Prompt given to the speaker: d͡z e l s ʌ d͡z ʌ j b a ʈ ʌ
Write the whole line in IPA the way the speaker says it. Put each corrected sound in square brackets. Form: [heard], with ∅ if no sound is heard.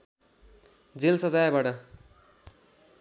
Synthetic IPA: d͡z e l s ʌ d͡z [a] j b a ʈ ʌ